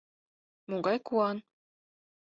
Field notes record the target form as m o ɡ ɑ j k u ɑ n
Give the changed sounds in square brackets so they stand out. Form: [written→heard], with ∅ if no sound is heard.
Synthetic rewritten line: m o ɡ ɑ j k u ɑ n